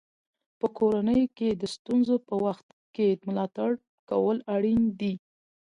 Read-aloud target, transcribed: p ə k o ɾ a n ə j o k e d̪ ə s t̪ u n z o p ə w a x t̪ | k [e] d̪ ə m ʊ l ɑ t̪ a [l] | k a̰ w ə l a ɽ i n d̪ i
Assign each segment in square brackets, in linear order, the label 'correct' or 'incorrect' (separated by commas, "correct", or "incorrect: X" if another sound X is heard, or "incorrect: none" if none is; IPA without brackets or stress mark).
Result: correct, incorrect: ɽ